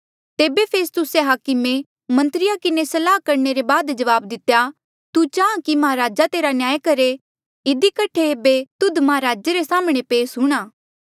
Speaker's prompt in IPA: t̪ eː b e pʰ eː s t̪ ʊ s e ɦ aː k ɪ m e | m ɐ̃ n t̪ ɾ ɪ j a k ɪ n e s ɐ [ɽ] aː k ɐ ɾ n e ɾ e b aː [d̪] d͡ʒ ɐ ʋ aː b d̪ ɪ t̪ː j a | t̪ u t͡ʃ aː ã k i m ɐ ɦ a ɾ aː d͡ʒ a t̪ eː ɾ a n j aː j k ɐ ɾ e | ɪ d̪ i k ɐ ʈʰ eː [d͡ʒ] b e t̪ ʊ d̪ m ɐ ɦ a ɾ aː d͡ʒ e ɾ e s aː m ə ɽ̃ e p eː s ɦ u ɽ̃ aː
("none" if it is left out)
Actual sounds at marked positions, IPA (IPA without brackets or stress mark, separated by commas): l, d̪, none